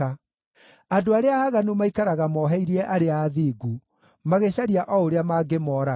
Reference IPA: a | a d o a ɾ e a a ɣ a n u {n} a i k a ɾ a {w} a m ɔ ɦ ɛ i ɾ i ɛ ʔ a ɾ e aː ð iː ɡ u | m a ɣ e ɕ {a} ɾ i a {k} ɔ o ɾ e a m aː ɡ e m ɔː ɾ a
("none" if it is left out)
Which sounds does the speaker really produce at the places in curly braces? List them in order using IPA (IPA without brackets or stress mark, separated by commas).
m, ɣ, a, ʔ